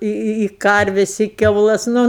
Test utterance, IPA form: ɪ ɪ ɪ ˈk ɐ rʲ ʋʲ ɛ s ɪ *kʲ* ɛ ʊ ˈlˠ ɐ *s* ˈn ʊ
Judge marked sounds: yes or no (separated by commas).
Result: yes, yes